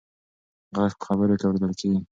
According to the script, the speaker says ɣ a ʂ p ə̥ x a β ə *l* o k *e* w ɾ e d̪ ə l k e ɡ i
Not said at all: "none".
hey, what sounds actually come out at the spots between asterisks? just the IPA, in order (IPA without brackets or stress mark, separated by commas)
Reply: ɾ, a